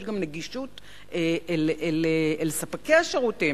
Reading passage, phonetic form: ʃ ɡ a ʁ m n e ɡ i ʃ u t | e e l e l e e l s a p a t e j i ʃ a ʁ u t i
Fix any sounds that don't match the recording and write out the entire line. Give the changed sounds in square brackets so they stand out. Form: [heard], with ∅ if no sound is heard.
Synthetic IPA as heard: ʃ ɡ a [∅] m n e ɡ i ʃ u t | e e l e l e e l s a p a [k] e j [a] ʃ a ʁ u t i